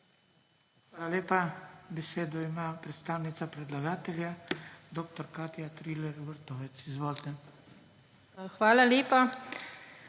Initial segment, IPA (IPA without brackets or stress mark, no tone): x